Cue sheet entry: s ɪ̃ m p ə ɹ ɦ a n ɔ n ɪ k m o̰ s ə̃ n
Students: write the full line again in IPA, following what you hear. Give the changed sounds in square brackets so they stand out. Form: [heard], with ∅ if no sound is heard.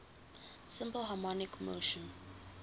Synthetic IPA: s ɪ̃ m p ə [l] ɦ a [m] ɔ n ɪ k m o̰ [ʃ] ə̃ n